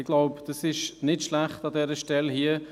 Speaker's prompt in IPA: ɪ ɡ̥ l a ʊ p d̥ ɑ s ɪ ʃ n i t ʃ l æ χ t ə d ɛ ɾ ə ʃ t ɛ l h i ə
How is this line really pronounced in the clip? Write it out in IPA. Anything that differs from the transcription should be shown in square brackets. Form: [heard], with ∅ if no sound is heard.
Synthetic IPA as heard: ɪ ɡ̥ l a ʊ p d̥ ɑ s ɪ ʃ n [ɪ] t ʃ l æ χ t [ɑ] d ɛ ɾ ə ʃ t ɛ l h i ə